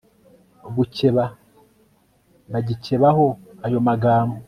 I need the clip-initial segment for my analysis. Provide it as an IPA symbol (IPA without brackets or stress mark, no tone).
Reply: ɡ